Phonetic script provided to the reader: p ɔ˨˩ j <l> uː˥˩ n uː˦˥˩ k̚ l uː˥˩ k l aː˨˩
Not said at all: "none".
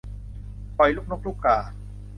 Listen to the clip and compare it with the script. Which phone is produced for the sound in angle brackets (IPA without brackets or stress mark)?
l